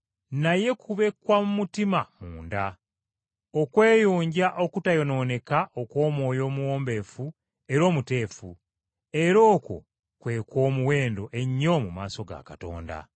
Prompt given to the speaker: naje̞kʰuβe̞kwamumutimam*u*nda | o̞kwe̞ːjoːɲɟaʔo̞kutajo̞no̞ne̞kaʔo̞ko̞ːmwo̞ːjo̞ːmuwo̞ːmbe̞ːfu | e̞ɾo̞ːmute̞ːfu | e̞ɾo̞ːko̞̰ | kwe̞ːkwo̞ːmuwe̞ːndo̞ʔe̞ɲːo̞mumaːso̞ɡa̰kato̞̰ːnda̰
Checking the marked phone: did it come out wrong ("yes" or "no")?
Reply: yes